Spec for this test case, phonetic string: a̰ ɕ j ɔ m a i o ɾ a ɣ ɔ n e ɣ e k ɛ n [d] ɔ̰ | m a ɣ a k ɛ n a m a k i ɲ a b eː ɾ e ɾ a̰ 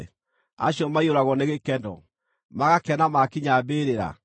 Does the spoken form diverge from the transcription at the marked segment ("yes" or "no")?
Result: no